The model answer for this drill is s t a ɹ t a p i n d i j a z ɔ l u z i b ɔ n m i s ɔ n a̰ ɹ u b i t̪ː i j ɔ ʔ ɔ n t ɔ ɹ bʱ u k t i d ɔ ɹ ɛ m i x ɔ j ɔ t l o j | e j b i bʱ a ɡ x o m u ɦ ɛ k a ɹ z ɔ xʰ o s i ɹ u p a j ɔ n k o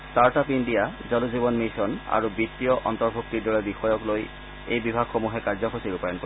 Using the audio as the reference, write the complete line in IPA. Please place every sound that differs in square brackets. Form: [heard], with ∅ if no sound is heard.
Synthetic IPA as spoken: s t a ɹ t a p i n d i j a z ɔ l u z i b ɔ n m i s ɔ n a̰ ɹ u b i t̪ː i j ɔ ʔ ɔ n t ɔ ɹ bʱ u k t i d ɔ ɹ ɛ [b] i x ɔ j ɔ [k] l o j | e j b i bʱ a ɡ x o m u ɦ ɛ k a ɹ z ɔ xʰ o s i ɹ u p a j ɔ n k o